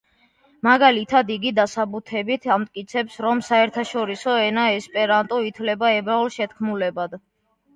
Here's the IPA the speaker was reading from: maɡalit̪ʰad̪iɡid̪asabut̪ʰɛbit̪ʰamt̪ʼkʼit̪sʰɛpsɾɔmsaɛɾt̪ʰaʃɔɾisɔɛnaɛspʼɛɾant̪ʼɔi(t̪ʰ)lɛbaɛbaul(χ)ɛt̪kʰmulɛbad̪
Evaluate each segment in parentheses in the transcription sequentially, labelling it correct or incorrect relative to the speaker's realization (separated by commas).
correct, incorrect